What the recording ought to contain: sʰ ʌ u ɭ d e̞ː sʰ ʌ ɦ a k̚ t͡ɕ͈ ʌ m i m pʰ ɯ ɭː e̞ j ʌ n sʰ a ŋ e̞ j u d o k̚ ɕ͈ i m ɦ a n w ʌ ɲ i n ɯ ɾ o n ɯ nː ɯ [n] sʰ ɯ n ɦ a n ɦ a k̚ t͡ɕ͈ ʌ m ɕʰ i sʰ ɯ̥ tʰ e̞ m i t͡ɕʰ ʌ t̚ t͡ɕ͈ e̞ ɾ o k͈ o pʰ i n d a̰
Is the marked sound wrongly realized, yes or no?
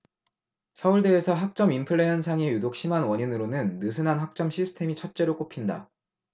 yes